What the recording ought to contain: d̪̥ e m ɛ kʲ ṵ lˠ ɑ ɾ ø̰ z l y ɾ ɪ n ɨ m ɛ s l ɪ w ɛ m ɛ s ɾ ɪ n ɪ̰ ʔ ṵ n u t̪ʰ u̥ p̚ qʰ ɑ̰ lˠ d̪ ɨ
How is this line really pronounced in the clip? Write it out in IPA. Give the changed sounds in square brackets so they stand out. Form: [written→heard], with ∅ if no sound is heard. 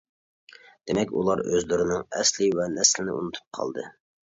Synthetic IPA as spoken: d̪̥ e m ɛ kʲ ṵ lˠ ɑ ɾ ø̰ z l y ɾ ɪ n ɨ [m→ŋ] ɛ s l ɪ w ɛ [m→n] ɛ s [ɾ→l] ɪ n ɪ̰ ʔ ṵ n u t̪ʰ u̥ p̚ qʰ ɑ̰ lˠ d̪ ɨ